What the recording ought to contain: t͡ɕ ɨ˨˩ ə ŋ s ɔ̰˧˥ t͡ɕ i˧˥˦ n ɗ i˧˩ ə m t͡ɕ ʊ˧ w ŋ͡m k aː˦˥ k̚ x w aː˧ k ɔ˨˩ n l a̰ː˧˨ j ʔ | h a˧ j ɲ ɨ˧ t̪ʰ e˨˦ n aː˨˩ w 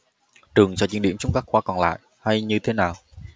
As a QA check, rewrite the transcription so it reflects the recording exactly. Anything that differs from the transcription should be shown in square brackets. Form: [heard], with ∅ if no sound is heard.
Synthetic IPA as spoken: t͡ɕ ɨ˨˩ ə ŋ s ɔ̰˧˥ t͡ɕ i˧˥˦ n ɗ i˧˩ ə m t͡ɕ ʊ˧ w ŋ͡m k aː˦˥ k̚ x w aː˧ k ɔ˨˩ n l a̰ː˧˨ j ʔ | h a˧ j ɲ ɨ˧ t̪ʰ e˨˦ n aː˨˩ w